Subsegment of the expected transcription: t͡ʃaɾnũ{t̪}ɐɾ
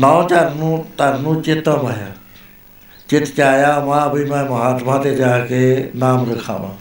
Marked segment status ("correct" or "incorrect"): correct